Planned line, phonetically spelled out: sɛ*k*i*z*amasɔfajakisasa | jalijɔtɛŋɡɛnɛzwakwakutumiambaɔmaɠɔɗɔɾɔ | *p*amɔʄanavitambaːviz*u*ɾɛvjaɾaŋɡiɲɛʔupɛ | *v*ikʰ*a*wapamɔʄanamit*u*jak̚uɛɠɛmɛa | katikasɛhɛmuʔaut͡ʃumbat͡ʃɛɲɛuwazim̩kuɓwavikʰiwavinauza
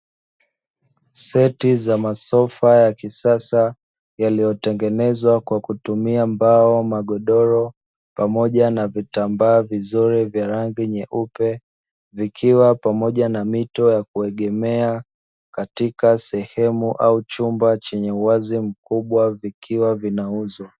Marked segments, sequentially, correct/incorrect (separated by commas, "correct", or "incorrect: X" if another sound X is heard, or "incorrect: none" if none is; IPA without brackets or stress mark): incorrect: t, correct, correct, correct, correct, incorrect: i, incorrect: ɔ